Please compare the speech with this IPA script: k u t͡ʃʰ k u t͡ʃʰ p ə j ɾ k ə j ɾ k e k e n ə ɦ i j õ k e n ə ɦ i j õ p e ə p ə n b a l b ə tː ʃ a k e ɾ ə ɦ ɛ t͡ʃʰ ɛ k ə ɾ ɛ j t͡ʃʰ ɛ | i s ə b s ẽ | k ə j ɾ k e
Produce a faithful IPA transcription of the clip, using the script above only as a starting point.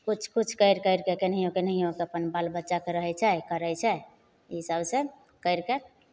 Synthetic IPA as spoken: k u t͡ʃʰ k u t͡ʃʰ k ə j ɾ k ə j ɾ k e k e n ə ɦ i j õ k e n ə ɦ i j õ k e ə p ə n b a l b ə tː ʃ a k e ɾ ə ɦ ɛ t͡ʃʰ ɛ k ə ɾ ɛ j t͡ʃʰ ɛ | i s ə b s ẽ | k ə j ɾ k e